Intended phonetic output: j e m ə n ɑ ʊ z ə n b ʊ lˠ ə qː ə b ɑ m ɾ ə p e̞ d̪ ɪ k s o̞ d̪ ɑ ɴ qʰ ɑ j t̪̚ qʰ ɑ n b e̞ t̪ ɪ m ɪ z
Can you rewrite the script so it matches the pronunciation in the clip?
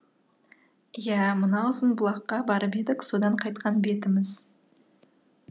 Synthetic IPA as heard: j æ m ə n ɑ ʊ z ə n b ʊ lˠ ɑ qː ɑ b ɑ ɾ ə p e̞ d̪ ɪ k s o̞ d̪ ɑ ɴ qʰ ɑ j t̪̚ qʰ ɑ n b e̞ t̪ ɪ m ɪ z